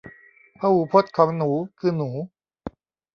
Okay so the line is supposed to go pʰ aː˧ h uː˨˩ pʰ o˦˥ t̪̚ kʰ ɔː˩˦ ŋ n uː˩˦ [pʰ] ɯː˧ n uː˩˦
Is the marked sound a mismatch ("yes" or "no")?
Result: yes